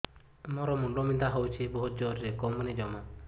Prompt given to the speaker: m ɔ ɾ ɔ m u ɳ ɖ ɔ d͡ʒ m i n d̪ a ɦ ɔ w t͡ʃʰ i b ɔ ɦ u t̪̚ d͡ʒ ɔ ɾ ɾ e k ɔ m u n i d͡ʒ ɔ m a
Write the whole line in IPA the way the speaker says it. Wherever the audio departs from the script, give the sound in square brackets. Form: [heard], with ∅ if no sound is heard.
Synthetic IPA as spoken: m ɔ ɾ ɔ m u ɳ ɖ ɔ [∅] m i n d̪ a ɦ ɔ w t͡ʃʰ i b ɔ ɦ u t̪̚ d͡ʒ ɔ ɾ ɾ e k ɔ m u n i d͡ʒ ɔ m a